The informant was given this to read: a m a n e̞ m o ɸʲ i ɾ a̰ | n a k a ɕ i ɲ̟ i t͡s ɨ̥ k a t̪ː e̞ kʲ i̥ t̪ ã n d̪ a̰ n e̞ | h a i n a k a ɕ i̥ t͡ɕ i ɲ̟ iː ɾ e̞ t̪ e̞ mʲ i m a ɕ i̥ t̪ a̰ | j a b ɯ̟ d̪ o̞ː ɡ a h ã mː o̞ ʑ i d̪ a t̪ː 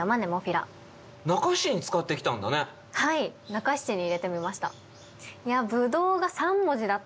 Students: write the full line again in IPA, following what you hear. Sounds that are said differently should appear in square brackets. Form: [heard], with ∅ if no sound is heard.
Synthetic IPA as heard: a m a n e̞ m o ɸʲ i ɾ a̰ | n a k a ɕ i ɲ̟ i t͡s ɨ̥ k a t̪ː e̞ kʲ i̥ t̪ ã n d̪ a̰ n e̞ | h a i n a k a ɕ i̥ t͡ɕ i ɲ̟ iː ɾ e̞ t̪ e̞ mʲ i m a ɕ i̥ t̪ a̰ | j a b ɯ̟ d̪ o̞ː ɡ a [s] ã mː o̞ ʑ i d̪ a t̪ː